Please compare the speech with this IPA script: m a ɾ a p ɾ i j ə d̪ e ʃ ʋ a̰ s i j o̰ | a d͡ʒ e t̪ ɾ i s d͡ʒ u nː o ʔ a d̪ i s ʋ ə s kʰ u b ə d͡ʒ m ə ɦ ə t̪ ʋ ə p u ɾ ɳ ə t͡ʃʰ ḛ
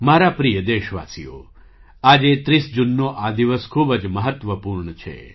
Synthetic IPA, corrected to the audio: m a ɾ a p ɾ i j ə d̪ e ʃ ʋ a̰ s i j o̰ | a d͡ʒ e t̪ ɾ i s d͡ʒ u nː o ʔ a d̪ i ʋ ə s kʰ u b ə d͡ʒ m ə ɦ ə t̪ ʋ ə p u ɾ ɳ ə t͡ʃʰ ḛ